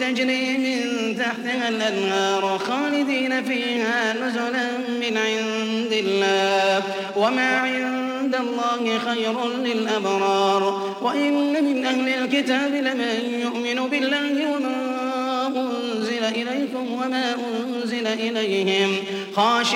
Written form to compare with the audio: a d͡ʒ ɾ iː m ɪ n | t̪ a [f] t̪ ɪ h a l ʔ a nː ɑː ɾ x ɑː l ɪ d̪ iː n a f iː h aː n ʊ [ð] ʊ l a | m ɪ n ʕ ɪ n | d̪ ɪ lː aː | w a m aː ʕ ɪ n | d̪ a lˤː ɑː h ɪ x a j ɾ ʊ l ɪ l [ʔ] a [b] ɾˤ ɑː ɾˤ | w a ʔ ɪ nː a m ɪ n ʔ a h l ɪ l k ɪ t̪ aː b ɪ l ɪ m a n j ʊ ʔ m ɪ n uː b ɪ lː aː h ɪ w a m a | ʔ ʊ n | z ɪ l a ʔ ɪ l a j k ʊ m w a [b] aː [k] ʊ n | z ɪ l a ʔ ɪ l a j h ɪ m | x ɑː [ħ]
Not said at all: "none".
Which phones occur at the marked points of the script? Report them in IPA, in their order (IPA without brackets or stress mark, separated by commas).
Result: ħ, z, ʔ, b, m, ʔ, ʃ